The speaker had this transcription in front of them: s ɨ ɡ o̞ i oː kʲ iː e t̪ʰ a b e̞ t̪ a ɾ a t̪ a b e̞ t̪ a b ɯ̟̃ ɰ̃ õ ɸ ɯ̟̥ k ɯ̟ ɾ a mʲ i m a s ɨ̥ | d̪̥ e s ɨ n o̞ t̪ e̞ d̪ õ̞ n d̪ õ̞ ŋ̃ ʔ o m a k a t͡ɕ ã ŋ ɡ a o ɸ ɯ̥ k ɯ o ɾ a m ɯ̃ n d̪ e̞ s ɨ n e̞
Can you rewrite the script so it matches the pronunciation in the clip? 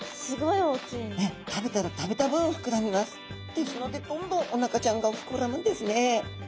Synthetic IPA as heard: s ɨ ɡ o̞ i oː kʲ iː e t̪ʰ a b e̞ t̪ a ɾ a t̪ a b e̞ t̪ a b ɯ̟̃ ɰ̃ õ ɸ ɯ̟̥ k ɯ̟ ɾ a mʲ i m a s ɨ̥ | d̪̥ e s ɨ n o̞ d̪ e̞ d̪ õ̞ n d̪ õ̞ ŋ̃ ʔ o n a k a t͡ɕ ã ŋ ɡ a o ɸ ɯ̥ k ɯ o ɾ a m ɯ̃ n d̪ e̞ s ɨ n e̞